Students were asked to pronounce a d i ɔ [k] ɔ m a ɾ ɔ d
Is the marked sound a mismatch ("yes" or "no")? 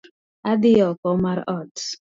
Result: no